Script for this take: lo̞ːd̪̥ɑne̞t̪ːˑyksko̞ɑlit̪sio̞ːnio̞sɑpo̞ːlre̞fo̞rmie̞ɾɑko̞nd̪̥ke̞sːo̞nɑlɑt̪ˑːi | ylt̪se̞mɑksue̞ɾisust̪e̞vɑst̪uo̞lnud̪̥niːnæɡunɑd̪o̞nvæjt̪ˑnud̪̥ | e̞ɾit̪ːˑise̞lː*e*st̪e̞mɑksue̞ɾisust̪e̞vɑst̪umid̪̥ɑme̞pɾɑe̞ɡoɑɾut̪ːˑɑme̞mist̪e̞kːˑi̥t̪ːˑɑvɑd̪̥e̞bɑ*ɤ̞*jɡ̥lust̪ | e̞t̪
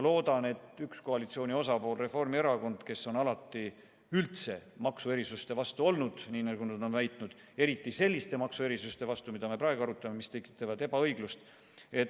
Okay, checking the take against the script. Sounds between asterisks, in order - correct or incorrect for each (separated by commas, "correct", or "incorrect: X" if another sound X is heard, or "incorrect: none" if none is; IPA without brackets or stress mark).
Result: incorrect: i, correct